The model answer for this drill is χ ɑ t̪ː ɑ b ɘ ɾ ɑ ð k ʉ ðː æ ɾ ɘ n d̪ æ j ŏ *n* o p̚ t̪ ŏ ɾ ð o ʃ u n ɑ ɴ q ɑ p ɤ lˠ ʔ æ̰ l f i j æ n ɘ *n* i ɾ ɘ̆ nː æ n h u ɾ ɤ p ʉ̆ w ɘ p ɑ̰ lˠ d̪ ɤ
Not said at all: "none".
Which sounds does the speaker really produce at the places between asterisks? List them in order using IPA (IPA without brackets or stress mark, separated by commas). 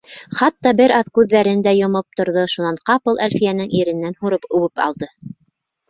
m, ŋ